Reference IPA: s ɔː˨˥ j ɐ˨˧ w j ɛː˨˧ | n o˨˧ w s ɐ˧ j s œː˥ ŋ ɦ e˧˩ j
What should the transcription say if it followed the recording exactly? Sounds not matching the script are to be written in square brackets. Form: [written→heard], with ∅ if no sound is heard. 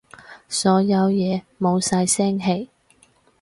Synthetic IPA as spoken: s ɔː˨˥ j ɐ˨˧ w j ɛː˨˧ | [n→m] o˨˧ w s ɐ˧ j s [œː˥→ɛː˥] ŋ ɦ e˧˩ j